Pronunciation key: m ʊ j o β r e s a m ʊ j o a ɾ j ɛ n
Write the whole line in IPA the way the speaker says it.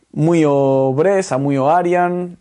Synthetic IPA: m u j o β ɾ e s a m u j o a ɾ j a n